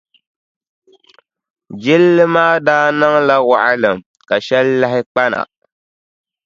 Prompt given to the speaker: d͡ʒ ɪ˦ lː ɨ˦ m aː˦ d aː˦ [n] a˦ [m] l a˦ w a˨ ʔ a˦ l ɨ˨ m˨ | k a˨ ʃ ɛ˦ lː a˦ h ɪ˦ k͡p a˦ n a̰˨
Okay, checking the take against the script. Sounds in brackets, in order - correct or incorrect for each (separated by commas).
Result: correct, incorrect